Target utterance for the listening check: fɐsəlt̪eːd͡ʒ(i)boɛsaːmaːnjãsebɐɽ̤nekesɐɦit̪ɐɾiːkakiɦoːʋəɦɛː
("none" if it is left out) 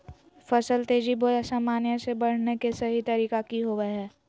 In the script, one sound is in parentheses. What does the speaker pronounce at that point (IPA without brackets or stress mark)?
i